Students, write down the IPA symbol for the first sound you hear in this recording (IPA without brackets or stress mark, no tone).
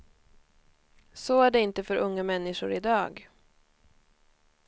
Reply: s